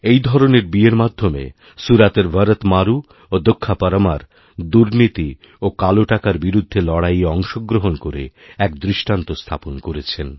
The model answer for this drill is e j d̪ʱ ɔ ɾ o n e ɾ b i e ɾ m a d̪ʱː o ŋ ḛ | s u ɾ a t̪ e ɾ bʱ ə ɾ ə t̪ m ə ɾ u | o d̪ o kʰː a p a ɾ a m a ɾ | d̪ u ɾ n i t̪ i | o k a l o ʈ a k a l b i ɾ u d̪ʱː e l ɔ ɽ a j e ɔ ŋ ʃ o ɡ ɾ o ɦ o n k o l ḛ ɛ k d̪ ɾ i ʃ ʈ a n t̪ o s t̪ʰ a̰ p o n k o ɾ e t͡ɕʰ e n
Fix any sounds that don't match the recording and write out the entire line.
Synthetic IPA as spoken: e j d̪ʱ ɔ ɾ o n e ɾ b i e ɾ m a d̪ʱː o m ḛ | s u ɾ a t̪ e ɾ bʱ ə ɾ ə t̪ m a ɾ u | o d̪ o kʰː a p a ɾ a m a ɾ | d̪ u ɾ n i t̪ i | o k a l o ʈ a k a ɾ b i ɾ u d̪ʱː e l ɔ ɽ a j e ɔ ŋ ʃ o ɡ ɾ o ɦ o n k o ɾ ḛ ɛ k d̪ ɾ i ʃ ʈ a n t̪ o s t̪ʰ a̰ p o n k o ɾ e t͡ɕʰ e n